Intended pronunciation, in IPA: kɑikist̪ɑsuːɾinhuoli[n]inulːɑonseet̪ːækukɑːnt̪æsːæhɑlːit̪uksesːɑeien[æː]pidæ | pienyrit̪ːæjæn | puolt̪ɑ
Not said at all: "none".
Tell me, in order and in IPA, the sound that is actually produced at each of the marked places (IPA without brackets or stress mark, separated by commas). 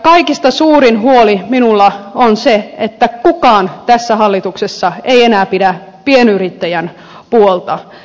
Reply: m, æː